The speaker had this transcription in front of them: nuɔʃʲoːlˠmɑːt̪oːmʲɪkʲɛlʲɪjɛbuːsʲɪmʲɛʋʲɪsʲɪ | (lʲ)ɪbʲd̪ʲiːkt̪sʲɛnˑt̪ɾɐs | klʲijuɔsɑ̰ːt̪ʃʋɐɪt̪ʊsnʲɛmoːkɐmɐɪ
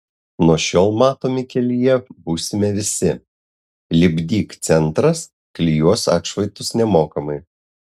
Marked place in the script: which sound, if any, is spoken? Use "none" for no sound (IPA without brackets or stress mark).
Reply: lʲ